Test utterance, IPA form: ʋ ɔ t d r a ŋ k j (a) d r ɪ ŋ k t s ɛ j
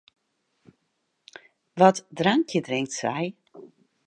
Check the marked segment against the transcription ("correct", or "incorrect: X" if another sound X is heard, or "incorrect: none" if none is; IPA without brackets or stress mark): incorrect: ə